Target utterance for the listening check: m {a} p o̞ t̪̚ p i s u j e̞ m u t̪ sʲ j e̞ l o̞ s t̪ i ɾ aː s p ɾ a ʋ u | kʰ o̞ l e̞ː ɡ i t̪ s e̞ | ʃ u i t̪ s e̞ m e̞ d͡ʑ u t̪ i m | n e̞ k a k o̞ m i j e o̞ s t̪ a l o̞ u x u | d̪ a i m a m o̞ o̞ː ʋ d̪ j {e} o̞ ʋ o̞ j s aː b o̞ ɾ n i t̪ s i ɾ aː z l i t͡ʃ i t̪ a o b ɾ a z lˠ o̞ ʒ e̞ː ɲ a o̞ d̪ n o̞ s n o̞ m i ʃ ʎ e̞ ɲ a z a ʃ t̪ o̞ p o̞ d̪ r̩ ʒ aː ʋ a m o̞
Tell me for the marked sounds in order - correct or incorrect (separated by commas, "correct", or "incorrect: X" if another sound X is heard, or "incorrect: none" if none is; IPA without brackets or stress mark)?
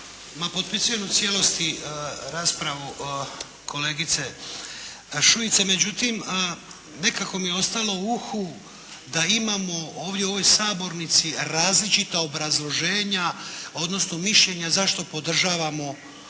correct, correct